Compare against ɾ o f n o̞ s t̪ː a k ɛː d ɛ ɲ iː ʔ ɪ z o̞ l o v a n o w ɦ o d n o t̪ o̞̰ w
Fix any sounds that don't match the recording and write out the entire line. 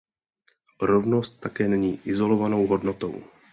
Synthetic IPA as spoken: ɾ o v n o̞ s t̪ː a k ɛː n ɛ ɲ iː ʔ ɪ z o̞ l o v a n o w ɦ o d n o t̪ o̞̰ w